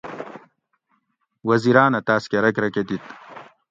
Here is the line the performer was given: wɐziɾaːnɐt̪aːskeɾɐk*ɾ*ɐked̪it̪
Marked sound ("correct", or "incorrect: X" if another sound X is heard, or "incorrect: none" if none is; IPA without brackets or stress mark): correct